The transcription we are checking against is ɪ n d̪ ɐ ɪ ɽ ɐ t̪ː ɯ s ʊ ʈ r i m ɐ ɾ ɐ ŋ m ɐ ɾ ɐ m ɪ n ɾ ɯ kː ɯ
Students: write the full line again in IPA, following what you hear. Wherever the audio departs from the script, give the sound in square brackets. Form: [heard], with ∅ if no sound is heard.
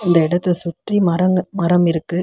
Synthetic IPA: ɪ n d̪ ɐ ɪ ɽ ɐ t̪ː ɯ s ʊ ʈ r i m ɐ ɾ ɐ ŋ m ɐ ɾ ɐ m ɪ [∅] ɾ ɯ kː ɯ